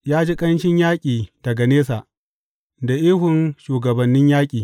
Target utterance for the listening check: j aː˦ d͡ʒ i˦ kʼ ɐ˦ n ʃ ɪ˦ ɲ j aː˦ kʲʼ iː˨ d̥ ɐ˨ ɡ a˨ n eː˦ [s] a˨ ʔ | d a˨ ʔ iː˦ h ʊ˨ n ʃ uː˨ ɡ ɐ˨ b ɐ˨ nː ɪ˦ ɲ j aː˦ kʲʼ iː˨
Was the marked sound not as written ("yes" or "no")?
no